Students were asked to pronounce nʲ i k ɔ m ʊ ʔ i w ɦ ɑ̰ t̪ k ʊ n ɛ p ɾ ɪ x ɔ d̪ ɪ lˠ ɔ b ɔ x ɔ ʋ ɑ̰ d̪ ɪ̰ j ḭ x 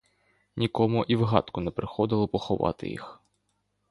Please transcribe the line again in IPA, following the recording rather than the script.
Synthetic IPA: nʲ i k ɔ m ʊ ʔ i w ɦ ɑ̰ t̪ k ʊ n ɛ p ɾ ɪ x ɔ d̪ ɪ lˠ ɔ p ɔ x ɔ ʋ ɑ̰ t̪ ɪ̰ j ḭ x